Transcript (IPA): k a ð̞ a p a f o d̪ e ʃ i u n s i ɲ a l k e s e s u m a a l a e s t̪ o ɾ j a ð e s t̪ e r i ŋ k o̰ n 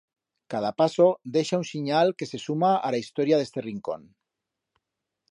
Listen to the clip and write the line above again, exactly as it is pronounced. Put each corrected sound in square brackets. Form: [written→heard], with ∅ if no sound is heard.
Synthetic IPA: k a ð̞ a p a [f→s] o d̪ e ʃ [i→a] u n s i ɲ a l k e s e s u m a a l a [e→i] s t̪ o ɾ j a ð e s t̪ e r i ŋ k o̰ n